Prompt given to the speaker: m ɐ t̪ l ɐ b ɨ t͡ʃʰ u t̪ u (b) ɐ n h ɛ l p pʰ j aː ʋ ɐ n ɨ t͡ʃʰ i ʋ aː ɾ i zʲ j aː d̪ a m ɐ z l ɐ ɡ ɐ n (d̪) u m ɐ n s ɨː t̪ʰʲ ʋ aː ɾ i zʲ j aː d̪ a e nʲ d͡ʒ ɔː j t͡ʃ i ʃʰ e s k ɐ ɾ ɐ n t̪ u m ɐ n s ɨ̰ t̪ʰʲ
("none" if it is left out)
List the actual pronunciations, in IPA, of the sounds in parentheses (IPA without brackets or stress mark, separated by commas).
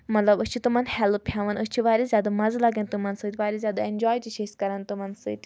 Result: m, t̪